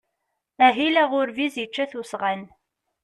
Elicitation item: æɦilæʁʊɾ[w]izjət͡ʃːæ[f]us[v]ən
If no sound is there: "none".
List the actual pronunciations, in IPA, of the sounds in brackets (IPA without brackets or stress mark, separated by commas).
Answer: v, θ, ʁ